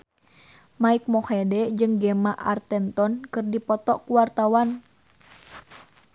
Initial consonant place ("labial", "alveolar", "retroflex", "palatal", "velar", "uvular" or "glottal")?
labial